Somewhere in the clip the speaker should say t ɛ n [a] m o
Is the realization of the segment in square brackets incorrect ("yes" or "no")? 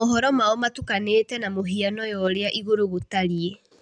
no